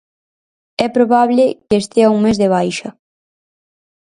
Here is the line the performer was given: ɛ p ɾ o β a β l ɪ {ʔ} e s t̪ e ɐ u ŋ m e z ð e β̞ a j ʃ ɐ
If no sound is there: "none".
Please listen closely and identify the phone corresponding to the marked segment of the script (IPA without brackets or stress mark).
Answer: k